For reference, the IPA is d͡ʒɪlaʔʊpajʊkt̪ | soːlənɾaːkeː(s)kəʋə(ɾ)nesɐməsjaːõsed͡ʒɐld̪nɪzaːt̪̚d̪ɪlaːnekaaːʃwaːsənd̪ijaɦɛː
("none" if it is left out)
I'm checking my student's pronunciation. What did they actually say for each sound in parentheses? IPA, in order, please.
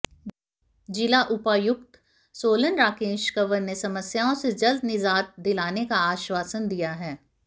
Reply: ʃ, ɾ

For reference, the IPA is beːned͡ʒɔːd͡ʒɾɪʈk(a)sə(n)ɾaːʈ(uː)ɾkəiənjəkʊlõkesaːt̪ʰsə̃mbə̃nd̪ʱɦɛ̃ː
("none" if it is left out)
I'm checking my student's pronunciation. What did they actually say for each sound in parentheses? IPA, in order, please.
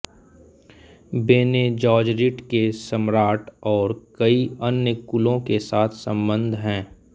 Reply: e, m, ɔː

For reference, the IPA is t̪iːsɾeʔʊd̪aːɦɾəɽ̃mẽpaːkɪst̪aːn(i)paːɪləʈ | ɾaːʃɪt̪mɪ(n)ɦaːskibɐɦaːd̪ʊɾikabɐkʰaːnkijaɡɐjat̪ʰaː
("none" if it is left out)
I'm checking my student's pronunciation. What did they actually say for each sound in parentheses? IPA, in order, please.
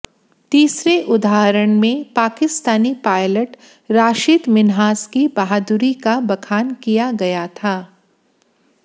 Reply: i, n

